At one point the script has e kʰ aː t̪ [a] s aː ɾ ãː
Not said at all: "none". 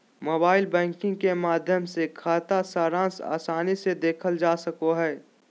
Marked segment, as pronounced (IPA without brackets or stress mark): a